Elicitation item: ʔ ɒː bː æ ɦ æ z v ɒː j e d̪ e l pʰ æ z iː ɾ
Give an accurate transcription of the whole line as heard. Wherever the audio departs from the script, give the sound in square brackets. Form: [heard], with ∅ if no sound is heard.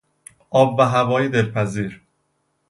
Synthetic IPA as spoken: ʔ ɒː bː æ ɦ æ [∅] v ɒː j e d̪ e l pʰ æ z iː ɾ

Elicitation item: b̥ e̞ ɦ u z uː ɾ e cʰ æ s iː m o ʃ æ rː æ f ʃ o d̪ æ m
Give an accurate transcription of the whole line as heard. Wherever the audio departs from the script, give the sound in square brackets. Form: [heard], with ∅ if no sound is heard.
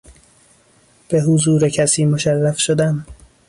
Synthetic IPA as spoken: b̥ e̞ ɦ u z uː ɾ e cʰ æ s iː m o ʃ æ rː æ f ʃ o d̪ æ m

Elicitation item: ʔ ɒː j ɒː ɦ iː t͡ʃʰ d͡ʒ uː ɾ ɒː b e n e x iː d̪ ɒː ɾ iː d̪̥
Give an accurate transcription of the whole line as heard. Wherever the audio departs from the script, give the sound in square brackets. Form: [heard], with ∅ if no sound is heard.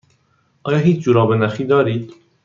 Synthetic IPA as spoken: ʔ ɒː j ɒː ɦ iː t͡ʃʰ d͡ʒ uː ɾ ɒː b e n [æ] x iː d̪ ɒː ɾ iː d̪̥

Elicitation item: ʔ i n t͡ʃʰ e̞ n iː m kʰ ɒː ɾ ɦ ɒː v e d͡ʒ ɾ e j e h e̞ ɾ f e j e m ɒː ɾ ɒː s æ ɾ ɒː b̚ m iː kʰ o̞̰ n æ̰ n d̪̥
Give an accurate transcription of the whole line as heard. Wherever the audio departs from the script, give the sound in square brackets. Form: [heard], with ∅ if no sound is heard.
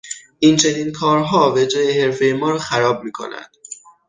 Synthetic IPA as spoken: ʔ i n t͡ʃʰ e̞ n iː [n] kʰ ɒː ɾ ɦ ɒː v e d͡ʒ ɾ e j e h e̞ ɾ f e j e m ɒː ɾ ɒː [x] æ ɾ ɒː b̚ m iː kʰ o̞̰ n æ̰ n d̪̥

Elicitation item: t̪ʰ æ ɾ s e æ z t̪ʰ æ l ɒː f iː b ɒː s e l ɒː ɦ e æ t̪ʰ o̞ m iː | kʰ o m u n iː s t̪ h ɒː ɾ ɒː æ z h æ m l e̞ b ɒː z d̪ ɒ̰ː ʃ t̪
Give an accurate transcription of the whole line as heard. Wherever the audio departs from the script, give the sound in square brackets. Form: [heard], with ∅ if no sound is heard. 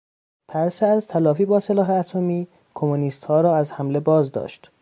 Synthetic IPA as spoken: t̪ʰ æ ɾ s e æ z t̪ʰ æ l ɒː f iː b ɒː s e l ɒː ɦ e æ t̪ʰ o̞ m iː | kʰ o m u n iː s t̪ h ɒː ɾ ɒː æ z h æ m l e̞ b ɒː z d̪ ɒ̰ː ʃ t̪

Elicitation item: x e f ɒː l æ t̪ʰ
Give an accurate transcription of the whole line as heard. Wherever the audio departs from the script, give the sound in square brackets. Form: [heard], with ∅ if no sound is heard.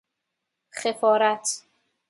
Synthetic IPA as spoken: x e f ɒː [ɾ] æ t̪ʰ

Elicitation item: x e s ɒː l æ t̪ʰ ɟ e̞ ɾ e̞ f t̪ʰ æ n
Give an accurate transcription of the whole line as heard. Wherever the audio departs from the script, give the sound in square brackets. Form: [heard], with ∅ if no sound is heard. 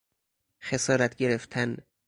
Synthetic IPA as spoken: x e s ɒː [ɾ] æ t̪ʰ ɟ e̞ ɾ e̞ f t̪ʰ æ n

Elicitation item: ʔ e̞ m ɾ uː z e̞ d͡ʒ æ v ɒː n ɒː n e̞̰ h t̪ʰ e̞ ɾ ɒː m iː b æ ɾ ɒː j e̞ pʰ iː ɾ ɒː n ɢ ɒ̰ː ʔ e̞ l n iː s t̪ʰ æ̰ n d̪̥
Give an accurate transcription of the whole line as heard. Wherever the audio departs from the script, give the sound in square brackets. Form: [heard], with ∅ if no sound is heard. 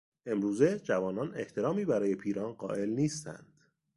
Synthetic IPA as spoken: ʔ e̞ m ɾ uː z e̞ d͡ʒ æ v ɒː n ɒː n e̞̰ h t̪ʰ e̞ ɾ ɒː m iː b æ ɾ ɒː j e̞ pʰ iː ɾ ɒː n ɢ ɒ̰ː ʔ e̞ l n iː s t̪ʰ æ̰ n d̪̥

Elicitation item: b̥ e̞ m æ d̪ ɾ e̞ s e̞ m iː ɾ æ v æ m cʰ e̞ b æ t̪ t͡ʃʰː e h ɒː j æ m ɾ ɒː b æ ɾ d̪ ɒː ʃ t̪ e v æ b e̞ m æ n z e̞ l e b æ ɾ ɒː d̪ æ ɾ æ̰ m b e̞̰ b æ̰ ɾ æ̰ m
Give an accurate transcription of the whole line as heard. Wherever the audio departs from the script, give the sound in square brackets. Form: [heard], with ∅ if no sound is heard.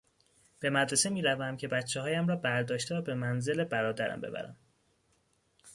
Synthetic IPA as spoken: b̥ e̞ m æ d̪ ɾ e̞ s e̞ m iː ɾ æ v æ m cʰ e̞ b æ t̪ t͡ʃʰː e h ɒː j æ m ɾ ɒː b æ ɾ d̪ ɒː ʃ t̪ e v æ b e̞ m æ n z e̞ l e b æ ɾ ɒː d̪ æ ɾ æ̰ m b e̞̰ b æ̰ ɾ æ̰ m

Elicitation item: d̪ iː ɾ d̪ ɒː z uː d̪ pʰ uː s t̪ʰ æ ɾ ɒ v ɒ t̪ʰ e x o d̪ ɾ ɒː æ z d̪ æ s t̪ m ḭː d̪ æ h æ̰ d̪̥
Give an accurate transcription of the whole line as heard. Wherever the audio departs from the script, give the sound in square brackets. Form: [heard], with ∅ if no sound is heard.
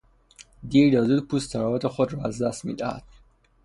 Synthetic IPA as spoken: d̪ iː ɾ d̪ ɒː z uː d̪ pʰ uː s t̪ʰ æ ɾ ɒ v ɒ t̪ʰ e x o d̪ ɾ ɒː æ z d̪ æ s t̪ m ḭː d̪ æ h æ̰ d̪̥

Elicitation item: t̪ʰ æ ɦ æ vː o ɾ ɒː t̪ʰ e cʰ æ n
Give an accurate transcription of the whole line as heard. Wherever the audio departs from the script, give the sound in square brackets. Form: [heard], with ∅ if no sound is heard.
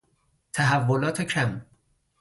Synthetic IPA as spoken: t̪ʰ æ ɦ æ vː o [l] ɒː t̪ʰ e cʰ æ [m]

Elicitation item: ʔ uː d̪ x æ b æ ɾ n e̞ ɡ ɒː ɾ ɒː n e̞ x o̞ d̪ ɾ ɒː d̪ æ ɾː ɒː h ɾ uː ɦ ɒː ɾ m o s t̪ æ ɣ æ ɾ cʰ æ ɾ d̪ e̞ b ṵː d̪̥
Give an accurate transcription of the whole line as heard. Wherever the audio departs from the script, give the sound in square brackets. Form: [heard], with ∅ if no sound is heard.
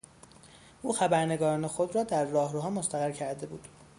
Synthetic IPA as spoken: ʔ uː [∅] x æ b æ ɾ n e̞ ɡ ɒː ɾ ɒː n e̞ x o̞ d̪ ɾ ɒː d̪ æ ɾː ɒː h ɾ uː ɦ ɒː [∅] m o s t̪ æ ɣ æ ɾ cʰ æ ɾ d̪ e̞ b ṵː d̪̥

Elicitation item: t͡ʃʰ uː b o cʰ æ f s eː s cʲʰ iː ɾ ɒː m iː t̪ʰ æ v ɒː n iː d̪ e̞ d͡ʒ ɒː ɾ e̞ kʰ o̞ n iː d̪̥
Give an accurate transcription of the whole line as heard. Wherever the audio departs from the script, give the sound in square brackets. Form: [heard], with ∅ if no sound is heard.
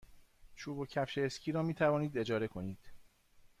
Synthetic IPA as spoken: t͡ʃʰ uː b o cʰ æ f [ʃ] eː s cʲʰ iː ɾ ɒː m iː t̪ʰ æ v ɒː n iː d̪ e̞ d͡ʒ ɒː ɾ e̞ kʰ o̞ n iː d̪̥

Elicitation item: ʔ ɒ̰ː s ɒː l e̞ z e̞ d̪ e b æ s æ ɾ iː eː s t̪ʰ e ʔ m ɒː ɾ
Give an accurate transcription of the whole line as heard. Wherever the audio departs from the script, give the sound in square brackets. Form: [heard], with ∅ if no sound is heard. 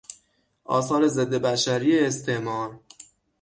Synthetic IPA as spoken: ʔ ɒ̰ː s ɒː [ɾ] e̞ z e̞ [d̪ː] e b æ [ʃ] æ ɾ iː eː s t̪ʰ e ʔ m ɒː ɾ

